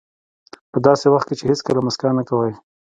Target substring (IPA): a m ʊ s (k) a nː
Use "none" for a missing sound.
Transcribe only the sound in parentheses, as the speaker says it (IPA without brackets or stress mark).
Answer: k